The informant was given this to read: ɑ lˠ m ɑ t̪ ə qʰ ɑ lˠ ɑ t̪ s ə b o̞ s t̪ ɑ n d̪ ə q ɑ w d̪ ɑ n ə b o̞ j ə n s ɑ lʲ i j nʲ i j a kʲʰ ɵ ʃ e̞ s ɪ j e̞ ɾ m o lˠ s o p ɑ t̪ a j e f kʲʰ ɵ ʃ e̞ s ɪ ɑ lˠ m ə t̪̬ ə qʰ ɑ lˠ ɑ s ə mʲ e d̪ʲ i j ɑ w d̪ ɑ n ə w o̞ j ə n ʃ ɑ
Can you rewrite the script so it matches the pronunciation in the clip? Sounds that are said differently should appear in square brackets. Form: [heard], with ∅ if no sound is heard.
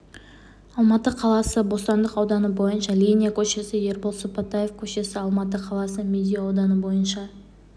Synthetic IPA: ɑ lˠ m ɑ t̪ ə qʰ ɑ lˠ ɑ [∅] s ə b o̞ s t̪ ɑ n d̪ ə q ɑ w d̪ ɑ n ə b o̞ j ə n [ʃ] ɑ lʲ i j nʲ i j a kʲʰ ɵ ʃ e̞ s ɪ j e̞ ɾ [b] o lˠ s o p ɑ t̪ a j e f kʲʰ ɵ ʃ e̞ s ɪ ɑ lˠ m [ɑ] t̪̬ ə qʰ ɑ lˠ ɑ s ə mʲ e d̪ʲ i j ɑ w d̪ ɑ n ə [b] o̞ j ə n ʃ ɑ

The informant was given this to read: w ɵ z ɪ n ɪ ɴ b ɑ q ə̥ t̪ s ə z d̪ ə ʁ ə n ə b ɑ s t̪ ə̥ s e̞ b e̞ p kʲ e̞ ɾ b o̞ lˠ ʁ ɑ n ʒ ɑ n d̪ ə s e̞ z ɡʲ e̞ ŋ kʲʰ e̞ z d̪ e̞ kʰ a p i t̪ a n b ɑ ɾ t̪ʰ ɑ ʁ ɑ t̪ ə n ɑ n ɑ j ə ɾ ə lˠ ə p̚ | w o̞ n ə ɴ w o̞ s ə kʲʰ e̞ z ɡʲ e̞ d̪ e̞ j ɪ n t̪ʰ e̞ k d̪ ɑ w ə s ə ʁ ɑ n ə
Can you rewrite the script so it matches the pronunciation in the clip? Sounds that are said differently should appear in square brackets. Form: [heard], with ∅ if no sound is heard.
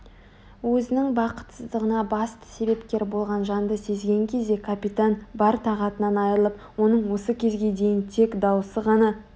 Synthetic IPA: w ɵ z ɪ n ɪ [ŋ] b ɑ q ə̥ t̪ s ə z d̪ ə ʁ ə n [ɑ] b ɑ s t̪ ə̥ s e̞ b e̞ p kʲ e̞ ɾ b o̞ lˠ ʁ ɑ n ʒ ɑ n d̪ ə s e̞ z ɡʲ e̞ ŋ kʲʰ e̞ z d̪ e̞ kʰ a p i t̪ a n b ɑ ɾ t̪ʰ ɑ ʁ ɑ t̪ ə n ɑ n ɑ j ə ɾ ə lˠ ə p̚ | w o̞ n ə ɴ w o̞ s ə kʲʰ e̞ z ɡʲ e̞ d̪ e̞ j ɪ n t̪ʰ e̞ k d̪ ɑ w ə s ə ʁ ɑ n [ɑ]

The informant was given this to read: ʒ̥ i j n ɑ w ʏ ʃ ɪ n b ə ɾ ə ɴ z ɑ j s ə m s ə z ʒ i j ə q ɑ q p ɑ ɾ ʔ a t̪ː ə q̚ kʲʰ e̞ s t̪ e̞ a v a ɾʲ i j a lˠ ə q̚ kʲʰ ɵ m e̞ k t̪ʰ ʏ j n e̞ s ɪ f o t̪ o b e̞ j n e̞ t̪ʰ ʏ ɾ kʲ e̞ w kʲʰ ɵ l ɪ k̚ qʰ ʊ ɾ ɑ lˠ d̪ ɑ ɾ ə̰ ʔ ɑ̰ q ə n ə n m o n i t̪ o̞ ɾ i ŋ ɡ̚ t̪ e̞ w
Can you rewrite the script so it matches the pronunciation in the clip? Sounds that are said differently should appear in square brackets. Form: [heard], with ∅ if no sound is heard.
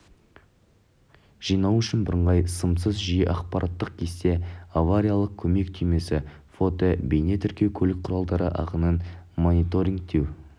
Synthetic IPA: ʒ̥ i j n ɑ w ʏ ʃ ɪ n b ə ɾ ə ɴ [ʁ] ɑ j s ə m s ə z ʒ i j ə [ʔ] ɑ q p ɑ ɾ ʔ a t̪ː ə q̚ kʲʰ e̞ s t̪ e̞ a v a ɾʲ i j a lˠ ə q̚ kʲʰ ɵ m e̞ k t̪ʰ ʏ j [m] e̞ s ɪ f o t̪ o b e̞ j n e̞ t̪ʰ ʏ ɾ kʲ e̞ w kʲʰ ɵ l ɪ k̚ qʰ ʊ ɾ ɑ lˠ d̪ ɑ ɾ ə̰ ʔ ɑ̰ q ə n ə n m o n i t̪ o̞ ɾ i ŋ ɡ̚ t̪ e̞ w

